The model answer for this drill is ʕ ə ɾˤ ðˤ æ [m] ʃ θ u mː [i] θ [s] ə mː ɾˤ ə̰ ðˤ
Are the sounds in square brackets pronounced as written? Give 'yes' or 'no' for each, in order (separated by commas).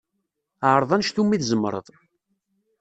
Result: no, yes, no